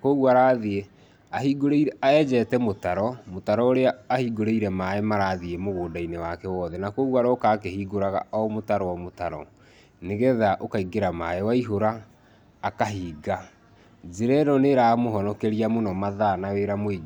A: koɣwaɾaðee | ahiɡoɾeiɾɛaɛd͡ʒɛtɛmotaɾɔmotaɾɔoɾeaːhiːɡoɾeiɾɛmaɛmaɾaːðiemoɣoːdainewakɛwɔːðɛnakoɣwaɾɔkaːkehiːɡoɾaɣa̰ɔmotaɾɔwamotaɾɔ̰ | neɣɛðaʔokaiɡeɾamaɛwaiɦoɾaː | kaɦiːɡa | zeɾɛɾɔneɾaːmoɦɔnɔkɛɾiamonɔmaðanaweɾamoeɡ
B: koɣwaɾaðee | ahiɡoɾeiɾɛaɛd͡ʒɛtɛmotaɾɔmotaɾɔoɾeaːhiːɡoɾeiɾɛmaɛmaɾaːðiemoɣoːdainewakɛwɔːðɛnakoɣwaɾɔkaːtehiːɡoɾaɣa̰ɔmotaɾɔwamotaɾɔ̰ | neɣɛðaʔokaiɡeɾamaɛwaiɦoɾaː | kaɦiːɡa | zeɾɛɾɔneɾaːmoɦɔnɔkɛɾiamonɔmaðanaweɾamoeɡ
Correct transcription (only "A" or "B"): A